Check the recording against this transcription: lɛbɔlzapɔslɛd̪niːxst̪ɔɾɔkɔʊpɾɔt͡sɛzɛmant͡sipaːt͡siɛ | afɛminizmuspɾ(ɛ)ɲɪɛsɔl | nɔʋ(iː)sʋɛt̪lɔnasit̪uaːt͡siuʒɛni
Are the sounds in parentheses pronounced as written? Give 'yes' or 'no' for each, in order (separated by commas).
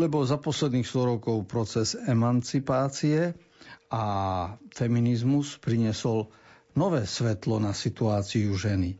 no, no